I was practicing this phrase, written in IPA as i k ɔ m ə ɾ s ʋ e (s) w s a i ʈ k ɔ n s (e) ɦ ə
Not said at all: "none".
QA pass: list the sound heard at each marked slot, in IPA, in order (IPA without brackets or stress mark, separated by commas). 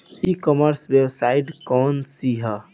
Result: none, i